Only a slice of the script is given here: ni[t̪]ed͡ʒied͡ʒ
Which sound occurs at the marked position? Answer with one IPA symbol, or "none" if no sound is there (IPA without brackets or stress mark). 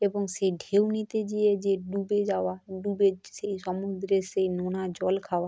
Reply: t̪